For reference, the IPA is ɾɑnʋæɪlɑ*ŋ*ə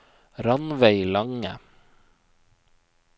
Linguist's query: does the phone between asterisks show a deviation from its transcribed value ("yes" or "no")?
no